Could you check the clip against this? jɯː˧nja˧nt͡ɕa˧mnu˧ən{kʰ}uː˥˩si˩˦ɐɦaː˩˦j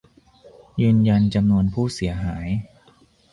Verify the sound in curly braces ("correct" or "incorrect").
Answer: incorrect